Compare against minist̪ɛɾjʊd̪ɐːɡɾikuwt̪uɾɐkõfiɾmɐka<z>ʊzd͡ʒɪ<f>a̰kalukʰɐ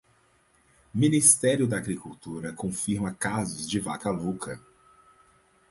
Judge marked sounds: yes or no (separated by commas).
yes, no